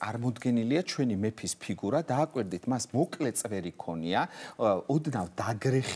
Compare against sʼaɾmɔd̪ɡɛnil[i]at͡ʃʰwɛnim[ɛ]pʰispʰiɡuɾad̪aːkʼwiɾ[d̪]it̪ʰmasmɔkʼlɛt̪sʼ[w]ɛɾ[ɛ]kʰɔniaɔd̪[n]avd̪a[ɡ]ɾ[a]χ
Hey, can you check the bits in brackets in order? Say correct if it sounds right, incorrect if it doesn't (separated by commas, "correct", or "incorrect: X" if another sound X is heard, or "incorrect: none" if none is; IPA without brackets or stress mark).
correct, correct, correct, incorrect: v, incorrect: i, correct, correct, incorrect: ɛ